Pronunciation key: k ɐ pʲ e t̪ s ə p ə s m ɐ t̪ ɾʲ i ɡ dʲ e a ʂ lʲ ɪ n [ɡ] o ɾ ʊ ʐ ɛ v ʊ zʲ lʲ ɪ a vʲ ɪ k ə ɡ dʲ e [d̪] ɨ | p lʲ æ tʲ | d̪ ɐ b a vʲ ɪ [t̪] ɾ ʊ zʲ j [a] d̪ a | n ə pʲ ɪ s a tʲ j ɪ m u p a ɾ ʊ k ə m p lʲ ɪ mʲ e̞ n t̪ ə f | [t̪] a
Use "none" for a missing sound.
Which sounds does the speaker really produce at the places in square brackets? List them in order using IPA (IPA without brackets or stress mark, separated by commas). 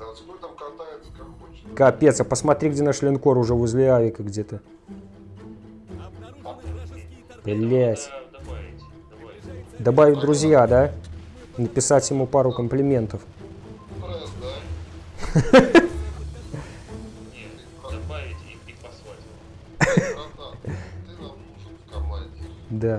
k, t̪, d̪, a, d̪